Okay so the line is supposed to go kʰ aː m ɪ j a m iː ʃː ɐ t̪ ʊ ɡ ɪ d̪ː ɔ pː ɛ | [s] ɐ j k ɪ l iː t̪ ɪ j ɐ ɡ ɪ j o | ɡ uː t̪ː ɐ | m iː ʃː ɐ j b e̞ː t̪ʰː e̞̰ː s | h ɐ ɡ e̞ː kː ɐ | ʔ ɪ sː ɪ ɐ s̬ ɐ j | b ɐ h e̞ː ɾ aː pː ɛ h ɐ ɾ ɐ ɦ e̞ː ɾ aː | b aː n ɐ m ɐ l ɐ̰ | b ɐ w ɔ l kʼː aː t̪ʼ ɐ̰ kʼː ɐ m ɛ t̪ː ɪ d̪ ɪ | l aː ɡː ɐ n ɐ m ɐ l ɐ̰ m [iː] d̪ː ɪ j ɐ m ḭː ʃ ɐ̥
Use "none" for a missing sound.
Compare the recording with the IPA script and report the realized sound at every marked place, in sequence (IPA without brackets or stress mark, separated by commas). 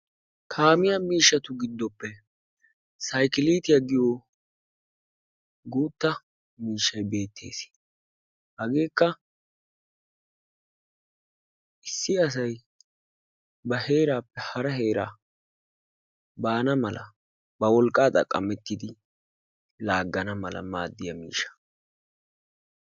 s, aː